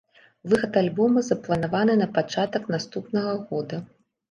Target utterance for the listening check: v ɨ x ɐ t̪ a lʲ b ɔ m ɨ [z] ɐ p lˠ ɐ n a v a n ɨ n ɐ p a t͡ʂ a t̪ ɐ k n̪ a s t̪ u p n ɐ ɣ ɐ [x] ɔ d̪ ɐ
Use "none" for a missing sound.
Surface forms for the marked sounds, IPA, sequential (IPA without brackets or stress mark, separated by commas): z, ɣ